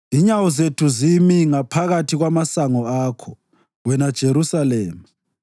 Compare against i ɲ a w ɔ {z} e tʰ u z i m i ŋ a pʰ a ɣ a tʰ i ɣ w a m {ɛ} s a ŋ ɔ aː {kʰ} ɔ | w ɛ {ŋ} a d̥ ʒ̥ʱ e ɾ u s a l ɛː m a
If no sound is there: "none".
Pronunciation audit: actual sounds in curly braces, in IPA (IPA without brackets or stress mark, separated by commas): z, a, kʰ, n